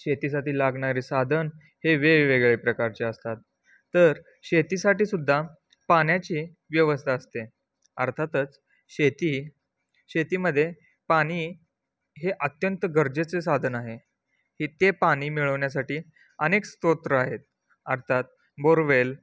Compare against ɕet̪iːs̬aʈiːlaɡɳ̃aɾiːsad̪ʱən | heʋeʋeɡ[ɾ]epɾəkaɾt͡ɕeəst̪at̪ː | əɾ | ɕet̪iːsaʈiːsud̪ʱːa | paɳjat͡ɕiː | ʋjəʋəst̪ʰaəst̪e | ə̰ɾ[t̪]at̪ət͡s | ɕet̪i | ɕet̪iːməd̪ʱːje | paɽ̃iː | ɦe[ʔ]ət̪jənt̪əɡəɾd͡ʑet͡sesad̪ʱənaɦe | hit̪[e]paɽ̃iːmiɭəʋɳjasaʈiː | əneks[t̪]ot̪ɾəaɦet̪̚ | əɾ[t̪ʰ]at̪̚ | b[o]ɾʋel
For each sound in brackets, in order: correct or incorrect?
incorrect, incorrect, correct, correct, correct, correct, correct

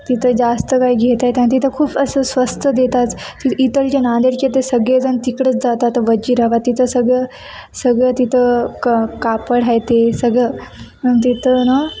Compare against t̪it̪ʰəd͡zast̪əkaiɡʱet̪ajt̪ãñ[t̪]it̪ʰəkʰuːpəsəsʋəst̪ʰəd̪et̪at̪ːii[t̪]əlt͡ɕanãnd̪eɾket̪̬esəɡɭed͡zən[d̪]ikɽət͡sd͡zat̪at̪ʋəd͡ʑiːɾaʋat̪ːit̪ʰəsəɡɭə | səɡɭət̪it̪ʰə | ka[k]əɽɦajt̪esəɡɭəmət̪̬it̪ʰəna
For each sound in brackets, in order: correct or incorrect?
correct, correct, incorrect, incorrect

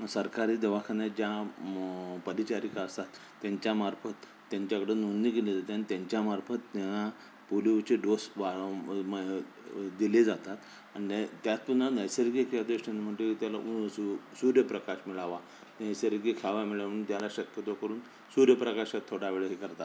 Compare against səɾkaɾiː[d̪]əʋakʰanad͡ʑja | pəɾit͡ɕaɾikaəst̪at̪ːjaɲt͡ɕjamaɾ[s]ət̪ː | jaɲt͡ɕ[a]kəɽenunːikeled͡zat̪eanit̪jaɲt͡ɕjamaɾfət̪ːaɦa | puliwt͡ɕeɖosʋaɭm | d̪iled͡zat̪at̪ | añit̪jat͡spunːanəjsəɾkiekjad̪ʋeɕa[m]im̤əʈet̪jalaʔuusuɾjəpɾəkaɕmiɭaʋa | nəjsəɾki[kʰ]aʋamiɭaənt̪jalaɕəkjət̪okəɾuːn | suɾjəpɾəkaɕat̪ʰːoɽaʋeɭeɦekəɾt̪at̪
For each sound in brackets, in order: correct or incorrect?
correct, incorrect, correct, incorrect, correct

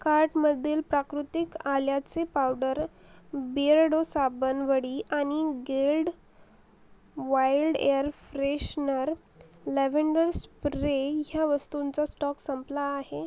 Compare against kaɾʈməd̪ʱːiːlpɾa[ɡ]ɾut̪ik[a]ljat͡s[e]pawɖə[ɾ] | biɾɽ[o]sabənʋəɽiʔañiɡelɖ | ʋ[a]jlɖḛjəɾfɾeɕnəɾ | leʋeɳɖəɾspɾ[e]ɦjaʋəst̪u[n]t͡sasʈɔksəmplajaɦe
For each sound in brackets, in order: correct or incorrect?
incorrect, correct, correct, correct, correct, correct, correct, correct

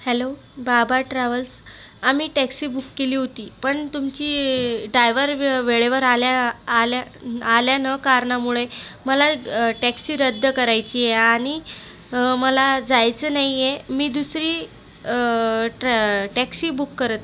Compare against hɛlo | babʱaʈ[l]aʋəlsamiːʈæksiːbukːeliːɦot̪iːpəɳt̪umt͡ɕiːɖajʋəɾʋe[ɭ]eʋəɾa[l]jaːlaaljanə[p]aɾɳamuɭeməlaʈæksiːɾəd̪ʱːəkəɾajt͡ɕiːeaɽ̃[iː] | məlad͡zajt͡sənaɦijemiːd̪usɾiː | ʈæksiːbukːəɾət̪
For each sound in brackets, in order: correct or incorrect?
incorrect, correct, correct, incorrect, incorrect

